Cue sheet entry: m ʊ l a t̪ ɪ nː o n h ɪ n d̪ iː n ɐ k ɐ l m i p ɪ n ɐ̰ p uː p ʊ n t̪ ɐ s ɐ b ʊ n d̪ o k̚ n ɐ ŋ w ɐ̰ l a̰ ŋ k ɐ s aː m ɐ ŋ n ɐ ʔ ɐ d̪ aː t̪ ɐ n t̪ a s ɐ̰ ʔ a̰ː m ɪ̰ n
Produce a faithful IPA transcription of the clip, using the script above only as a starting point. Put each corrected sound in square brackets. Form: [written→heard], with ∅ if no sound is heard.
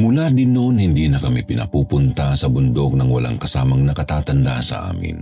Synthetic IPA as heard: m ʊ l a [t̪→d̪] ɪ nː o n h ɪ n d̪ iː n ɐ k ɐ [l→∅] m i p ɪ n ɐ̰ p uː p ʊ n t̪ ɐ s ɐ b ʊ n d̪ o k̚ n ɐ ŋ w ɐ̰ l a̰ ŋ k ɐ s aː m ɐ ŋ n ɐ [ʔ→k] ɐ [d̪→t̪] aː t̪ ɐ n [t̪→d̪] a s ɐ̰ ʔ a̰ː m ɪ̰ n